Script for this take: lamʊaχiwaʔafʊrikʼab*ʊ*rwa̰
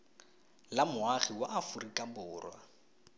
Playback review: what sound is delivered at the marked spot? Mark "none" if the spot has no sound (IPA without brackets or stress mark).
ʊː